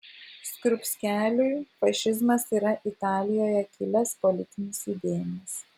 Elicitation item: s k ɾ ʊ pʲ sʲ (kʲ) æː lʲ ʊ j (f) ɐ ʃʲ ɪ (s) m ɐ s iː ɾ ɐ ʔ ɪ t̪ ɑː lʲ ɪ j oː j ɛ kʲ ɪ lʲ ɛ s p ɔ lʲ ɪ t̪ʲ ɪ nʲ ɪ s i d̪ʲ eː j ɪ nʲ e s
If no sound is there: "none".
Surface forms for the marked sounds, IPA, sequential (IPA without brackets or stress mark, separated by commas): kʲ, f, z